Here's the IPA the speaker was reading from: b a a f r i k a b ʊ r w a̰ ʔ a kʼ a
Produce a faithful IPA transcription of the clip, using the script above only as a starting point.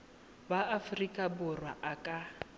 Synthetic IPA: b a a f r i kʼ a b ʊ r w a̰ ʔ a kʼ a